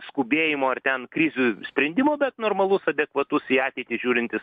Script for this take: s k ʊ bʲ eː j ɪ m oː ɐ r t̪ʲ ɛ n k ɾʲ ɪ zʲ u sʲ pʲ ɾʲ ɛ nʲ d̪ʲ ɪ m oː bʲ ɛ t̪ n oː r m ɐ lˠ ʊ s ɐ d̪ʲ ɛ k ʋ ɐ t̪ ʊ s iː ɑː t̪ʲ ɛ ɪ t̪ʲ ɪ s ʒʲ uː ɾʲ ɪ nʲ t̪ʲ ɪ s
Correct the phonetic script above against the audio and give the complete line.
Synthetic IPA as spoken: s k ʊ bʲ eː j ɪ m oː ɐ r t̪ʲ ɛ n k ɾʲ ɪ zʲ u sʲ pʲ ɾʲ ɛ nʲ d̪ʲ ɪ m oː bʲ ɛ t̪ n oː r m ɐ lˠ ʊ s ɐ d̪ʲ ɛ k ʋ ɐ t̪ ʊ s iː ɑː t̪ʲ ɛ ɪ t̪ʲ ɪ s ʒʲ uː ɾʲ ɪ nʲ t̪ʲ ɪ s